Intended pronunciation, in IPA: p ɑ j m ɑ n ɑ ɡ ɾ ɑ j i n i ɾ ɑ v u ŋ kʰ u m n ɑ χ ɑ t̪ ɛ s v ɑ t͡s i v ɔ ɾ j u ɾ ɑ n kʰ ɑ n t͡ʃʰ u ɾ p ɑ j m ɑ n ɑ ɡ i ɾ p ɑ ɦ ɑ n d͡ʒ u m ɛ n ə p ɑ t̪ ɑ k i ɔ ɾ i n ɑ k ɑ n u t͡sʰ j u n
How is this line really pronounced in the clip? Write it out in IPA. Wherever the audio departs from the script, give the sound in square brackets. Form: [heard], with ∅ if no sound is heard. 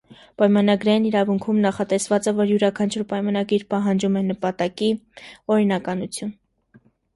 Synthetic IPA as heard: p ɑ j m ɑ n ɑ ɡ ɾ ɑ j i n i ɾ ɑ v u ŋ kʰ u m n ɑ χ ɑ t̪ ɛ s v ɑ t͡s [ɛ] v ɔ ɾ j u ɾ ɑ [∅] kʰ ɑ n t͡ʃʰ u ɾ p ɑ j m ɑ n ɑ ɡ i ɾ p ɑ ɦ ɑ n d͡ʒ u m ɛ n ə p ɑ t̪ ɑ k i ɔ ɾ i n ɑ k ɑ n u t͡sʰ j u n